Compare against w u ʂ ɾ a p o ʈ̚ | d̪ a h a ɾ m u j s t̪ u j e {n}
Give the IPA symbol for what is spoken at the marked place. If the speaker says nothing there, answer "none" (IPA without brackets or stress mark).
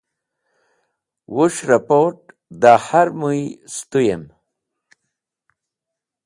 m